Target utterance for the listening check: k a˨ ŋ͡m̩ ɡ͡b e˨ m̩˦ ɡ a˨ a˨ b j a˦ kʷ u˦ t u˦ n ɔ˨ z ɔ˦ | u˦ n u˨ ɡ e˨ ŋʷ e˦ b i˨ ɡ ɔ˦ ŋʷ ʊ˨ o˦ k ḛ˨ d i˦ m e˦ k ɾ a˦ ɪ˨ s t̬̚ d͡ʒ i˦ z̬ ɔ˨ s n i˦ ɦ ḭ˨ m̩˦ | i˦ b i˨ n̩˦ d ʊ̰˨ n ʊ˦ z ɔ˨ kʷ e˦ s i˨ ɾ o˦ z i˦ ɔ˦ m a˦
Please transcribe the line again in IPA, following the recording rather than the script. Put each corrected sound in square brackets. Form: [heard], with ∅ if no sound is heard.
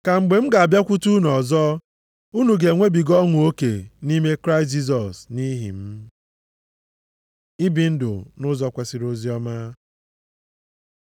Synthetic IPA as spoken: k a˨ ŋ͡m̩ ɡ͡b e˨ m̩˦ ɡ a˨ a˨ b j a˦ kʷ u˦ t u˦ n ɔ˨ z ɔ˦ | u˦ n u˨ ɡ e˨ ŋʷ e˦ b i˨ ɡ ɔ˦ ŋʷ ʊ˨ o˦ k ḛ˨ [n] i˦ m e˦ k ɾ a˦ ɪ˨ s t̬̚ d͡ʒ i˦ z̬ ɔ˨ s n i˦ ɦ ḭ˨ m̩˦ | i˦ b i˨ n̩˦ d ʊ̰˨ n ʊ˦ z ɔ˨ kʷ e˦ s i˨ ɾ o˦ z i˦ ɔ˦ m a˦